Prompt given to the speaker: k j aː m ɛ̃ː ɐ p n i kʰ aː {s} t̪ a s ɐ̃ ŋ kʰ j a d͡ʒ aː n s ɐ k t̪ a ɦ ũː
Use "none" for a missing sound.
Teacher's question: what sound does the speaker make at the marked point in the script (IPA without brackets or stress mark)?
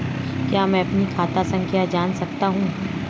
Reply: none